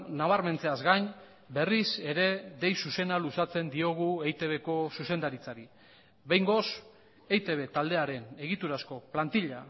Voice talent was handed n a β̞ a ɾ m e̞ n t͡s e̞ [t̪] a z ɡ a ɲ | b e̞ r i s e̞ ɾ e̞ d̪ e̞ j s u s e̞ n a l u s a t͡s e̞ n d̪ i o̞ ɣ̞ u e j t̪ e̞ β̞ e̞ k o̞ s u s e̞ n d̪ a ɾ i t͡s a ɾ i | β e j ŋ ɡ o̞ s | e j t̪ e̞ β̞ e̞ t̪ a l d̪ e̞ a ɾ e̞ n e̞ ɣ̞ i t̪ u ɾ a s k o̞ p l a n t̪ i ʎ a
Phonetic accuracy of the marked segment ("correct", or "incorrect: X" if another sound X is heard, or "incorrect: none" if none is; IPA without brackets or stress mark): incorrect: none